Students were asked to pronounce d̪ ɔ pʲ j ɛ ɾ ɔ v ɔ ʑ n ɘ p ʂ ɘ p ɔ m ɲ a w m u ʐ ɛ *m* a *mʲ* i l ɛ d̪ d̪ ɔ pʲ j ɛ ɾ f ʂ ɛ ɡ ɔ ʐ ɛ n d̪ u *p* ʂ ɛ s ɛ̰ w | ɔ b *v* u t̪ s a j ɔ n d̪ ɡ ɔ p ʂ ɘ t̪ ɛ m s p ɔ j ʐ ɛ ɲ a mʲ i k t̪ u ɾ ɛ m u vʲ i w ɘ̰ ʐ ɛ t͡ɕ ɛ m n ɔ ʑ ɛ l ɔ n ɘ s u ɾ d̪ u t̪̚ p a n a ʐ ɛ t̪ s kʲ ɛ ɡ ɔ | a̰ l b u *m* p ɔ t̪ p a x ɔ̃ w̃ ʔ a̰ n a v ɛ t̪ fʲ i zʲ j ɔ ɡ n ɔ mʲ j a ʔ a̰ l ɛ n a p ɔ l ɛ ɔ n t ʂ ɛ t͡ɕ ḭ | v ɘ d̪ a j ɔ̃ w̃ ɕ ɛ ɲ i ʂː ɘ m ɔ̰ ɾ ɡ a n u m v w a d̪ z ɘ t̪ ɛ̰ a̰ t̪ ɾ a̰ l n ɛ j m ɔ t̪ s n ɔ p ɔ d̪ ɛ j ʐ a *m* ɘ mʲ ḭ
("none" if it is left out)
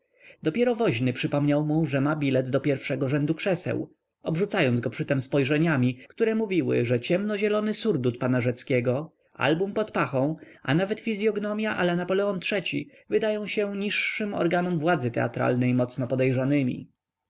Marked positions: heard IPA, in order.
m, bʲ, k, ʐ, m, n

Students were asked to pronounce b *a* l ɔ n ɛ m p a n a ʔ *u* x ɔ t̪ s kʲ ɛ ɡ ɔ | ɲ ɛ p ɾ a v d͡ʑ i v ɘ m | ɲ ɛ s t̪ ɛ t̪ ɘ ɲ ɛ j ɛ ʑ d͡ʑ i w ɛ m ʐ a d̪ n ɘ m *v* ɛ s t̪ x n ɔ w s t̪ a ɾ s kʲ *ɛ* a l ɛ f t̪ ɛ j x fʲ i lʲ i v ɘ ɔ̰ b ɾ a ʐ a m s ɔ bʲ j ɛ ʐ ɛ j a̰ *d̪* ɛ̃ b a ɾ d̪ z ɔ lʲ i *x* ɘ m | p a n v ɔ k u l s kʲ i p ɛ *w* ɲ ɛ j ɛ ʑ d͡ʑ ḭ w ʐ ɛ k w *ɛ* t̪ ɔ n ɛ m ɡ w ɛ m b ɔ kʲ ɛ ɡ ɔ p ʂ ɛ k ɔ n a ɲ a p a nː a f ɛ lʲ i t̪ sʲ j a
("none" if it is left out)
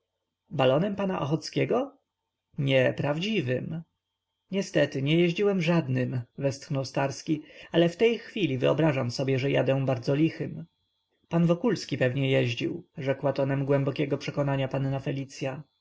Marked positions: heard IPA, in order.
a, ɔ, v, i, d̪, x, v, a

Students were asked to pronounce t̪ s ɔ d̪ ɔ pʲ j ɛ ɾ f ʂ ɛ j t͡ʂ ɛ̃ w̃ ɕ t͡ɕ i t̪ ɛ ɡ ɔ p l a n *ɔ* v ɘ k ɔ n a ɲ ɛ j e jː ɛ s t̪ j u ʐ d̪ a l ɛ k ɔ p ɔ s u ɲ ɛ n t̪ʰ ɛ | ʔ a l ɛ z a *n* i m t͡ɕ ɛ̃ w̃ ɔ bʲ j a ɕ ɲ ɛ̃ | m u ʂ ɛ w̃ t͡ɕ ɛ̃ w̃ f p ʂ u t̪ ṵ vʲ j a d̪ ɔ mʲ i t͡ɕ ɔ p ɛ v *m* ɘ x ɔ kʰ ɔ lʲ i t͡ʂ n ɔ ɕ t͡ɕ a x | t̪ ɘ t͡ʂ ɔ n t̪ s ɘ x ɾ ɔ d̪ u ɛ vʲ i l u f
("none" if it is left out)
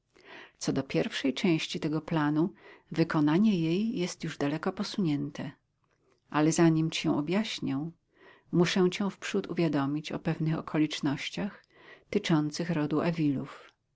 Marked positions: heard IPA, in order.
u, ɲ, n

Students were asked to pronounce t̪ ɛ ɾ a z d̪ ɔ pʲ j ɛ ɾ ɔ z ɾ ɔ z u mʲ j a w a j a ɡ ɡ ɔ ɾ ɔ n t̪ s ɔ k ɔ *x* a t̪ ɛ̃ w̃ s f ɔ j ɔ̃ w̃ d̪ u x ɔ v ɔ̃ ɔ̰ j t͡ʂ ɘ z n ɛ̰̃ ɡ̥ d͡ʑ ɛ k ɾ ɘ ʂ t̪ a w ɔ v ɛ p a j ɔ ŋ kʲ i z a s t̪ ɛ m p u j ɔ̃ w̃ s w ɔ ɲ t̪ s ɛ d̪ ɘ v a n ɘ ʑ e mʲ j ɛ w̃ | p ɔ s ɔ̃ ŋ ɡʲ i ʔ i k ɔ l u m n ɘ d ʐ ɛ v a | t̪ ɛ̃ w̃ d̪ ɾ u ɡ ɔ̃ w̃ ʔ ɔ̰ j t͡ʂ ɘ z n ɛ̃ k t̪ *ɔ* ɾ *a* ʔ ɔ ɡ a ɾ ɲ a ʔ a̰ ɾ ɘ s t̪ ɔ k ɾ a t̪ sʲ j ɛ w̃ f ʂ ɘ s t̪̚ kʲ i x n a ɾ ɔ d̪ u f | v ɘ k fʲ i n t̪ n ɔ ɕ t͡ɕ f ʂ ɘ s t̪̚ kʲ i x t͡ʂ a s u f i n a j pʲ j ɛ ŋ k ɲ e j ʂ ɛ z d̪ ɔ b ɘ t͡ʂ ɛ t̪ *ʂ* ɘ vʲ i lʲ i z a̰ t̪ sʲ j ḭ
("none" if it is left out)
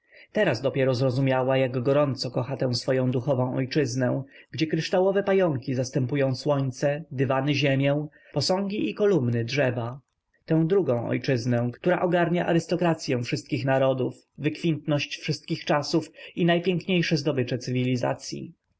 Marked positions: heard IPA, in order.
x, u, a, s

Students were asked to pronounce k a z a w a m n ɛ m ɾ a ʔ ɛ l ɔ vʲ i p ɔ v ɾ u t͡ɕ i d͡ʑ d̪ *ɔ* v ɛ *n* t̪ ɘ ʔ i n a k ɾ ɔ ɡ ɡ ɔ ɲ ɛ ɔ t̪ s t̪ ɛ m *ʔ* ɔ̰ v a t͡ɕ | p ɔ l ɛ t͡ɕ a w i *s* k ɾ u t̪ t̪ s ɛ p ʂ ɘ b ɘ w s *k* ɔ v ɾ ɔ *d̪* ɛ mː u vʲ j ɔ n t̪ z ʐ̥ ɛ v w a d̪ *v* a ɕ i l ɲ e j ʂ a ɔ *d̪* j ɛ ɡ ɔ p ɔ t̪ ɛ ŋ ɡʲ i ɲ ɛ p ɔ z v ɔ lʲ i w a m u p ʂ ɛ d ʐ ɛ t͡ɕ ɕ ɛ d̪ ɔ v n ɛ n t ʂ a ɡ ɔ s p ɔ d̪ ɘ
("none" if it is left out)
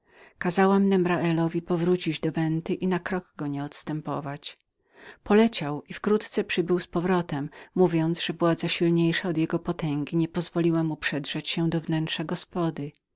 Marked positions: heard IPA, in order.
ɔ, n, p, f, p, t̪, z, d̪

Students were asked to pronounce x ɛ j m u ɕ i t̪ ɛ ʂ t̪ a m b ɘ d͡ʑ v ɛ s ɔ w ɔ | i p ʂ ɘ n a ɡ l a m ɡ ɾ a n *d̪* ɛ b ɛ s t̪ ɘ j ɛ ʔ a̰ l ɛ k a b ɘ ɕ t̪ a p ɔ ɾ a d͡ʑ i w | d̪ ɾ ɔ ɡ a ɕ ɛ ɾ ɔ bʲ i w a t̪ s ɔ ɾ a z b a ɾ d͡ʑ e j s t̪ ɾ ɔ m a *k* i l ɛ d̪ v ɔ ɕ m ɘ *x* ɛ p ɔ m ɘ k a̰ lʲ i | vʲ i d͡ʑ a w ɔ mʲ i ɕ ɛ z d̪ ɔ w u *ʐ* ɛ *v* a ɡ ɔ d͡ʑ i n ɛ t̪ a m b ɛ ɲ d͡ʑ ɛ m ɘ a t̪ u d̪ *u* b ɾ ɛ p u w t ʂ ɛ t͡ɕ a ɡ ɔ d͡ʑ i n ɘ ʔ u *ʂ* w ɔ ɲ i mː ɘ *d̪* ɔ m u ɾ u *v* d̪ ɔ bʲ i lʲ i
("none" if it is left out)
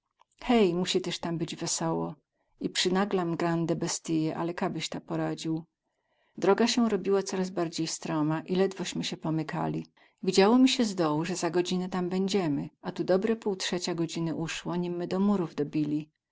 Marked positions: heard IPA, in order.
d̪, ʔ, ɕ, ʐ, z, ɔ, ʂ, d̪, v

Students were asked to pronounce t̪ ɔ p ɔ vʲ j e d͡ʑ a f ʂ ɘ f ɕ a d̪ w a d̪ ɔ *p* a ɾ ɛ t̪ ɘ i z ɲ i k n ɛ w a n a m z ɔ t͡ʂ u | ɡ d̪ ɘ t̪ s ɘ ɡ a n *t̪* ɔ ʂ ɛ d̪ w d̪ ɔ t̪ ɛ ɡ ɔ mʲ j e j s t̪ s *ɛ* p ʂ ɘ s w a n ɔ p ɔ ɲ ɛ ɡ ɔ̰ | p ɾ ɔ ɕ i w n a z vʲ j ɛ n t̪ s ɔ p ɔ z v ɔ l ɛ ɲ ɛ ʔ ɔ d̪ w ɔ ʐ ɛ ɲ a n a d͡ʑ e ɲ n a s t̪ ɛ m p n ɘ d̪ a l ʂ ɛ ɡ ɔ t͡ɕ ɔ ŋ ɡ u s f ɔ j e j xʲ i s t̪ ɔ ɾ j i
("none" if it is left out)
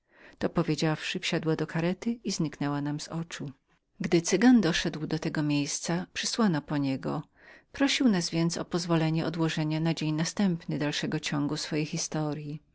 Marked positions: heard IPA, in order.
k, d̪, a

